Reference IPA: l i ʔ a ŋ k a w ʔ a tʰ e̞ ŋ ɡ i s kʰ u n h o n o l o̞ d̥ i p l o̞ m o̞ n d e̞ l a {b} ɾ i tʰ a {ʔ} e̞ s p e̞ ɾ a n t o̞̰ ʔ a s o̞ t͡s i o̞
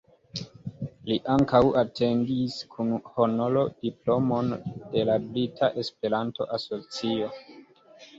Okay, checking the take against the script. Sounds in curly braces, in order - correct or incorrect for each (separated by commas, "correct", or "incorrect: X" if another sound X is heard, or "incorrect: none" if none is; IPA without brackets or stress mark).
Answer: correct, correct